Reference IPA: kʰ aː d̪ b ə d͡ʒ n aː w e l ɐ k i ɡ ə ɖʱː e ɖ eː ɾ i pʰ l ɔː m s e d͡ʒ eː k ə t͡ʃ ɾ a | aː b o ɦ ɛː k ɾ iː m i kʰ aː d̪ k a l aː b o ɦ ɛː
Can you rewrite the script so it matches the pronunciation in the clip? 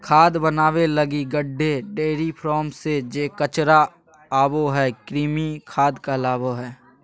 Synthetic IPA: kʰ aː d̪ b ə n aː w e l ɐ ɡ i ɡ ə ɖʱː e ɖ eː ɾ i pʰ ɾ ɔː m s e d͡ʒ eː k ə t͡ʃ ɾ a | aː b o ɦ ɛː k ɾ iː m i kʰ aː d̪ k a l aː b o ɦ ɛː